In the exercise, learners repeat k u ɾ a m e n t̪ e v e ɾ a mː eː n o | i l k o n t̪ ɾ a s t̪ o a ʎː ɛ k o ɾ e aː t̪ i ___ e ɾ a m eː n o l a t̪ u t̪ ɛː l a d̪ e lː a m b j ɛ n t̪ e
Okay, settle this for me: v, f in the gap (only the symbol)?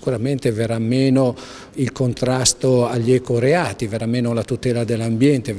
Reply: v